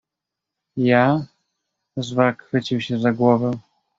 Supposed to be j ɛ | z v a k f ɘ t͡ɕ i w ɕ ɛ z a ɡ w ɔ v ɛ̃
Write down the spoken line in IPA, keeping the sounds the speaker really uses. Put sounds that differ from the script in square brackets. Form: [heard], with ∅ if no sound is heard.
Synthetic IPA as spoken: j [a] | z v a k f ɘ t͡ɕ i w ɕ ɛ z a ɡ w ɔ v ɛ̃